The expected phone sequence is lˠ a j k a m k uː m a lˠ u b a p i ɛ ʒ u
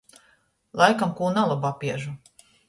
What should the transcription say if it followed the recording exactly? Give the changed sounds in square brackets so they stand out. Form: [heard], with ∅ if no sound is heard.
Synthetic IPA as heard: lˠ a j k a m k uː [n] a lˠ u b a p i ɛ ʒ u